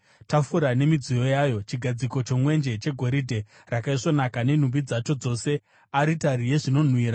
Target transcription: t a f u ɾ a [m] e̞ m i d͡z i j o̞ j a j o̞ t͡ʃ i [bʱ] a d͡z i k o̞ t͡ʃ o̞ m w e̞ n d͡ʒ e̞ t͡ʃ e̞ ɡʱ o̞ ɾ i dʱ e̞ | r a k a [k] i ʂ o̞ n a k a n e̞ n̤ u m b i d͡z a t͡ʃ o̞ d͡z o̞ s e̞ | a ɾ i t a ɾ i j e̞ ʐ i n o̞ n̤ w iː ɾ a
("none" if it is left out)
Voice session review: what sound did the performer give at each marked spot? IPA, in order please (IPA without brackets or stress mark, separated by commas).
n, ɡʱ, none